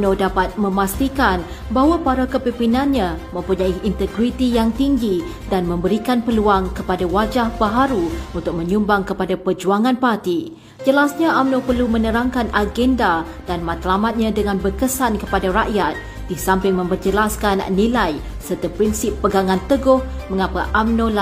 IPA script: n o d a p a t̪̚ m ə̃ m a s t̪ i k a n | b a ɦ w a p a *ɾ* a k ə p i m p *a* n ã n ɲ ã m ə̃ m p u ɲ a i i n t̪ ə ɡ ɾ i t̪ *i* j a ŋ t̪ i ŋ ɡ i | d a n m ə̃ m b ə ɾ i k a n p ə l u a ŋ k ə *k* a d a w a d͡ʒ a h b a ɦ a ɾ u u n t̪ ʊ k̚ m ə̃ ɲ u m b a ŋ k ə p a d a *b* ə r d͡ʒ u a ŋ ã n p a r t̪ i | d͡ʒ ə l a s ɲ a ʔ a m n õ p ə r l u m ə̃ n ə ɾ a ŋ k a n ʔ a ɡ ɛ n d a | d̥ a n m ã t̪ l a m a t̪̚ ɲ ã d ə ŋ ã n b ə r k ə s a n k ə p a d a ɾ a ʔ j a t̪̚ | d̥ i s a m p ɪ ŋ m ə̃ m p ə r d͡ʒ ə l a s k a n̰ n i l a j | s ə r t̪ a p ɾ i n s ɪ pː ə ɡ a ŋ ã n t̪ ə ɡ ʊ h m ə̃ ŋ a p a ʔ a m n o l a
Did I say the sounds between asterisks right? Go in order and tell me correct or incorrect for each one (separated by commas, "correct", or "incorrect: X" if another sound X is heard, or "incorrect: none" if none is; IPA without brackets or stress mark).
correct, incorrect: i, correct, incorrect: p, incorrect: p